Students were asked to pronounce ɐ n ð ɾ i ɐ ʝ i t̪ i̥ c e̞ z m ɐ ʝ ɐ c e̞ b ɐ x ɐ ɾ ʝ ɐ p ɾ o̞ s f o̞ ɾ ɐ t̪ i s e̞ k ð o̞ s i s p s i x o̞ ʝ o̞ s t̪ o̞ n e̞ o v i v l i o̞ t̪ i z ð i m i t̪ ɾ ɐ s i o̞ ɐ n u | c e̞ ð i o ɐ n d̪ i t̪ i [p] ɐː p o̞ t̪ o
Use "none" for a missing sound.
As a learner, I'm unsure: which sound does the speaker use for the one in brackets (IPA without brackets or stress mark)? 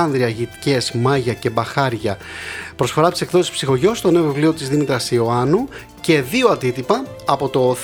p